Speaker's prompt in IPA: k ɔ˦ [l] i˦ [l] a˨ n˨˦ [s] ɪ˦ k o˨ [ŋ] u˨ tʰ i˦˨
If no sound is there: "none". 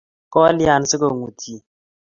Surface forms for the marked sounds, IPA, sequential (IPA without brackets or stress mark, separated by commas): l, none, s, ŋ